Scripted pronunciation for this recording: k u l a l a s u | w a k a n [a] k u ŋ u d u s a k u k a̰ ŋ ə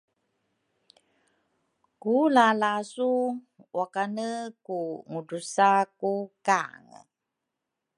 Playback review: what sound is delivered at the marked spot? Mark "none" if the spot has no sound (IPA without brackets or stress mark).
ə